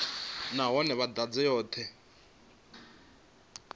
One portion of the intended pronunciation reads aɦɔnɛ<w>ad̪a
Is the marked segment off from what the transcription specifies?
yes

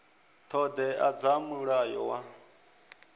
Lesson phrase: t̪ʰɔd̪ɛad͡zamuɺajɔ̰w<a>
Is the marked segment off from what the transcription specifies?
no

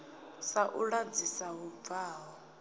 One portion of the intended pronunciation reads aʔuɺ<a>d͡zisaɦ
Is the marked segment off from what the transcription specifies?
no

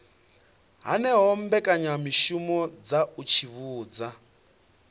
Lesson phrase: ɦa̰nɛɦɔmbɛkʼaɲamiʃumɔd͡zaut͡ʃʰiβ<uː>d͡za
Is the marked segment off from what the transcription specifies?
no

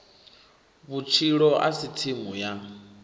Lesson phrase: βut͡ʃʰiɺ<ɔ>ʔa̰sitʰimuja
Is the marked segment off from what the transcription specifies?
no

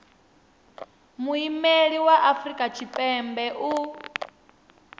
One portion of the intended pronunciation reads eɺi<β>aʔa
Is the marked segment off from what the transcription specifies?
yes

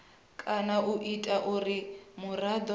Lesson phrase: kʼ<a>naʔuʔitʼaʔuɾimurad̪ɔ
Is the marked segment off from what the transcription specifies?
no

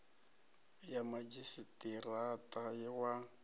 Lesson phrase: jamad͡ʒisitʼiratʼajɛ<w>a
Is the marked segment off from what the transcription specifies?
no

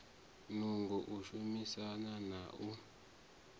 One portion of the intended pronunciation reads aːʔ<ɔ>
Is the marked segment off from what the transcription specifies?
yes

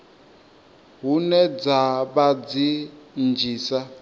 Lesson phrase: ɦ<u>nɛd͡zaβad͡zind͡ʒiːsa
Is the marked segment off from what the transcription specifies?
no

